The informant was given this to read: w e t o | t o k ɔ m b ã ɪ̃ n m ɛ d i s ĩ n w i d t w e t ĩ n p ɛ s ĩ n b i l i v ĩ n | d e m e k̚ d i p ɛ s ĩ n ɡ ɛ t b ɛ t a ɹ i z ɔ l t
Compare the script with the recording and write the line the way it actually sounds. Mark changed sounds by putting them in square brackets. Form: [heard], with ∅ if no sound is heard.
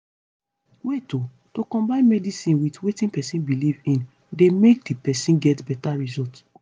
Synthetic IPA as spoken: w e t o | t o k [ɔ̃] m b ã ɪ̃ n m ɛ d i s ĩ n w i [∅] t w e t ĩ n p ɛ s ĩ n b i l i v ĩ n | d e m e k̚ d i p ɛ s ĩ n ɡ ɛ t b ɛ t a ɹ i z ɔ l t